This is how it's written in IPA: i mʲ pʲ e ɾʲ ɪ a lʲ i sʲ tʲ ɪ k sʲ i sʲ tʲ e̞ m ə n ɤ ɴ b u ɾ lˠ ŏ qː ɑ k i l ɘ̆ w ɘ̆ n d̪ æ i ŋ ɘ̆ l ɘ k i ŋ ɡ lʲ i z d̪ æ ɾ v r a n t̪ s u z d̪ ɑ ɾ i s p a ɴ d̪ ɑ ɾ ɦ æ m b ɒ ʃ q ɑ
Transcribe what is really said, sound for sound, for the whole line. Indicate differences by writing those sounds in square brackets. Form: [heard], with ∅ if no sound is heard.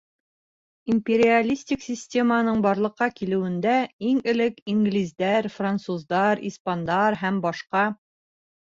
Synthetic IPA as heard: i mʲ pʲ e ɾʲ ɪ a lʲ i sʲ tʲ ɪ k sʲ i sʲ tʲ e̞ m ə n ɤ ɴ b [ɒ] ɾ lˠ [ɤ̆] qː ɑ k i l ɘ̆ w ɘ̆ n d̪ æ i ŋ ɘ̆ l ɘ k i ŋ ɡ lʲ i z d̪ æ ɾ [f] r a n t̪ s u z d̪ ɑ ɾ i s p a [n] d̪ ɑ ɾ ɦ æ m b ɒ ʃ q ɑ

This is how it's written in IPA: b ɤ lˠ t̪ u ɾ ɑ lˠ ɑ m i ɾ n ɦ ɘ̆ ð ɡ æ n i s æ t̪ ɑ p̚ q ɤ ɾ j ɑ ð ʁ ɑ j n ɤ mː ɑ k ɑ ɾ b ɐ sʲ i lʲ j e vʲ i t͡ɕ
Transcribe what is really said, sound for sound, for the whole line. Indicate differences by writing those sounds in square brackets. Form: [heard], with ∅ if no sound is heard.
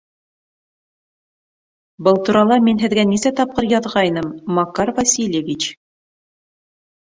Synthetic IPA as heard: b ɤ lˠ t̪ u ɾ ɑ lˠ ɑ m i [∅] n ɦ ɘ̆ ð ɡ æ n i s æ t̪ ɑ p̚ q ɤ ɾ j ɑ ð ʁ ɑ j n ɤ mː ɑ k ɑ ɾ [v] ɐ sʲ i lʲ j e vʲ i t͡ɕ

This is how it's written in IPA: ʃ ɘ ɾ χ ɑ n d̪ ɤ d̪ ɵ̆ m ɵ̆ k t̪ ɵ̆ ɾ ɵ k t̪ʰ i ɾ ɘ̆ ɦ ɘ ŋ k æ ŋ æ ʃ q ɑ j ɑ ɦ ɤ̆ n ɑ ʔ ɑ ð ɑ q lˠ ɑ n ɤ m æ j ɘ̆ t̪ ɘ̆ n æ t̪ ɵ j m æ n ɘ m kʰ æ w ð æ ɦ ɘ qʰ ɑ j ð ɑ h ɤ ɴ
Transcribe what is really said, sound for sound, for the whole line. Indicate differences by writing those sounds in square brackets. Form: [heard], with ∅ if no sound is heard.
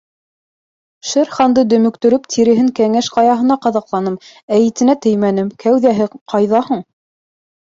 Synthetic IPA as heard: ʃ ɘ ɾ χ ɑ n d̪ ɤ d̪ ɵ̆ m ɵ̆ k t̪ ɵ̆ ɾ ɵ [p] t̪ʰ i ɾ ɘ̆ ɦ ɘ ŋ k æ ŋ æ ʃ q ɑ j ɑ ɦ ɤ̆ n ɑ [q] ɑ ð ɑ q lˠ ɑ n ɤ m æ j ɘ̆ t̪ ɘ̆ n æ t̪ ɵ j m æ n ɘ m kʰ æ w ð æ ɦ ɘ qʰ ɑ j ð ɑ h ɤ ɴ

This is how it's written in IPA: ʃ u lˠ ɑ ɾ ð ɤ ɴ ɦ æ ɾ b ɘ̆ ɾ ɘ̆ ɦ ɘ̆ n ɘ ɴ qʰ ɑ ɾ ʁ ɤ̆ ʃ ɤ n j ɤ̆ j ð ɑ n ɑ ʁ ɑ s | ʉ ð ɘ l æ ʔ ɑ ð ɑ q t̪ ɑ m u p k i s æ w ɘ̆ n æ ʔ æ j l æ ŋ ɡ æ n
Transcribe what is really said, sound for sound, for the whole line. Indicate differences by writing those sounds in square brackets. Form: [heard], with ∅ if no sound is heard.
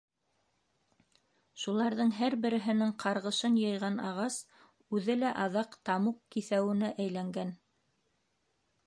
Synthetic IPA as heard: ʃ u lˠ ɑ ɾ ð ɤ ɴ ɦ æ ɾ b ɘ̆ ɾ ɘ̆ ɦ ɘ̆ n ɘ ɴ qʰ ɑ ɾ ʁ ɤ̆ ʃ ɤ n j ɤ̆ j [ʁ] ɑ n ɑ ʁ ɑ s | ʉ ð ɘ l æ ʔ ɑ ð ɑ q t̪ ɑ m u [q] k i [θ] æ w ɘ̆ n æ ʔ æ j l æ ŋ ɡ æ n

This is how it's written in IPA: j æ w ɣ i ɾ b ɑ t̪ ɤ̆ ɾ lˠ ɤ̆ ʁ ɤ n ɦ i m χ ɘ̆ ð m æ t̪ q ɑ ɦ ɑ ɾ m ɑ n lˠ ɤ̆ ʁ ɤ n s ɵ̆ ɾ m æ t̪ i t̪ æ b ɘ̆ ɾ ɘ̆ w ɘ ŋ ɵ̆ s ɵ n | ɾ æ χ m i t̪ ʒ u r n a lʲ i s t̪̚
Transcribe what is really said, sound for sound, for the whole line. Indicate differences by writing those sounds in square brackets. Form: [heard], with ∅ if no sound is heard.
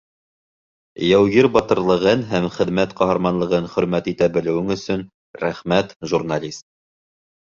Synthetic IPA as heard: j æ w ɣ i ɾ b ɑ t̪ ɤ̆ ɾ lˠ ɤ̆ ʁ ɤ n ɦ [æ] m χ ɘ̆ ð m æ t̪ q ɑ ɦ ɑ ɾ m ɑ n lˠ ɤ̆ ʁ ɤ n [χ] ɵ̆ ɾ m æ t̪ i t̪ æ b ɘ̆ [l] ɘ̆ w ɘ ŋ ɵ̆ s ɵ n | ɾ æ χ m [æ] t̪ ʒ u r n a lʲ i s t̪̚

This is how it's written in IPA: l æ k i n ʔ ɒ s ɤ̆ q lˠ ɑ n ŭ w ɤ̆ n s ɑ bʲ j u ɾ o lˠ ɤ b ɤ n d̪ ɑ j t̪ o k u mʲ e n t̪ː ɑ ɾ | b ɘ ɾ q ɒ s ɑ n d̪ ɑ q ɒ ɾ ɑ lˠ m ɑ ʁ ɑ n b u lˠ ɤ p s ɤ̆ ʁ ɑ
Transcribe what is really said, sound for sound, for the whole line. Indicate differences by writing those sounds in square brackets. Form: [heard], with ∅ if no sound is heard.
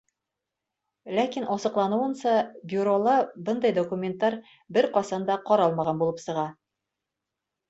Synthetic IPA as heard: l æ k i n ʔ ɒ s ɤ̆ q lˠ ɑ n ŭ w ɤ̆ n s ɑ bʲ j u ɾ o lˠ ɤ b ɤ n d̪ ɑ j [d̪] o k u mʲ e n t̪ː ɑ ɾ | b ɘ ɾ q ɒ s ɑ n d̪ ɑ q ɒ ɾ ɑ lˠ m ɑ ʁ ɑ n b u lˠ ɤ p s ɤ̆ ʁ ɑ

